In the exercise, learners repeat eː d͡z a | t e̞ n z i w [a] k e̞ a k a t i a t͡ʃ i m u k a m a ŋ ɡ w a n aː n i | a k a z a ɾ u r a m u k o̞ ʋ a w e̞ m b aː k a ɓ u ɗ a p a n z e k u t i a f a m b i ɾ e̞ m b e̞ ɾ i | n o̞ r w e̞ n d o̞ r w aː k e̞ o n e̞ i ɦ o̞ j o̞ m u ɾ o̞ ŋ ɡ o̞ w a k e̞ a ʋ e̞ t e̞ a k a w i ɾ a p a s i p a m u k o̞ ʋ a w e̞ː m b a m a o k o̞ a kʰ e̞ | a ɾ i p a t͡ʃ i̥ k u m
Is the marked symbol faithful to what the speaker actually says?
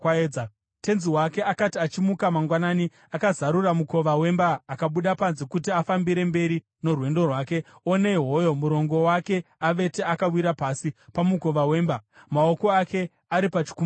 yes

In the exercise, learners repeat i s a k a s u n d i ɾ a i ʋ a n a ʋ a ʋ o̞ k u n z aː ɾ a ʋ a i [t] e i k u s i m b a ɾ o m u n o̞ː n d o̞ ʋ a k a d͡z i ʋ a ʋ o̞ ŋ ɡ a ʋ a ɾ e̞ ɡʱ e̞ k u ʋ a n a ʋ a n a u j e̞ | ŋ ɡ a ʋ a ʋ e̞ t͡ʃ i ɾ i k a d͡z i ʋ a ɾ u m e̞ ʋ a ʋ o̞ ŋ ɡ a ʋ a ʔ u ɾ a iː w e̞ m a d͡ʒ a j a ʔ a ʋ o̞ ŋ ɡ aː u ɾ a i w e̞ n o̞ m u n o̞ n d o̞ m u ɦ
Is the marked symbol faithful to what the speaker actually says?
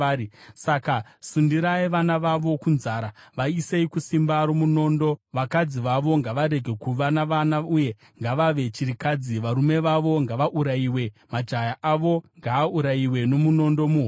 no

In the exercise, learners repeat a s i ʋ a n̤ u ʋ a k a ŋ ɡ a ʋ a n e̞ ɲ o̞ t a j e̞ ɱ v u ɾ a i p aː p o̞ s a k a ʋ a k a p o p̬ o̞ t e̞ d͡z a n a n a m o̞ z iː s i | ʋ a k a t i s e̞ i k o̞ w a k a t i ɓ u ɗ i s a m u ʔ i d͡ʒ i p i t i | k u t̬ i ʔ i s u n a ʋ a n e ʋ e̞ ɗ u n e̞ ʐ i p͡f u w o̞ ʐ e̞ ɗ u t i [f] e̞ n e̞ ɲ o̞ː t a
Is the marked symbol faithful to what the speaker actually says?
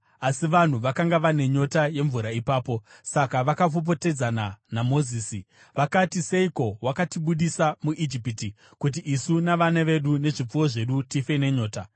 yes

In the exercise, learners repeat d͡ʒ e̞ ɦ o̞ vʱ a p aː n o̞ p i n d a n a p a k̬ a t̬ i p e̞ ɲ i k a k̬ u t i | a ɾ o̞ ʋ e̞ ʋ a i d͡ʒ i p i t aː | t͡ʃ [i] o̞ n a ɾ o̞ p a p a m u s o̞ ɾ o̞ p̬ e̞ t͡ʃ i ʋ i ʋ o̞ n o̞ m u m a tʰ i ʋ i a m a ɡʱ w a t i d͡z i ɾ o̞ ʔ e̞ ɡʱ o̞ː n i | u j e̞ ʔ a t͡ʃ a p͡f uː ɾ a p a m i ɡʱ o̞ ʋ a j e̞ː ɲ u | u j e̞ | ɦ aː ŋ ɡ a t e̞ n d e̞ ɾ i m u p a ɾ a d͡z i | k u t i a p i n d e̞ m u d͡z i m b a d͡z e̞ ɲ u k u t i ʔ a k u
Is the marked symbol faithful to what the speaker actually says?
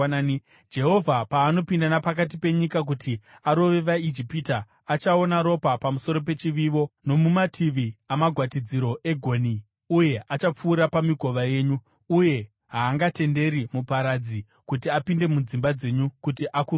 no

